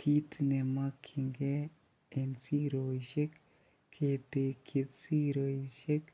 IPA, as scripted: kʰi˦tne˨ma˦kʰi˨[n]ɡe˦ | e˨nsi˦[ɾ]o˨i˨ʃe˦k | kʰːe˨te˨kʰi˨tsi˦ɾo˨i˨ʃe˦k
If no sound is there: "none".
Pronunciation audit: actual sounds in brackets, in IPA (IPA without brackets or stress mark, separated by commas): ŋ, ɾ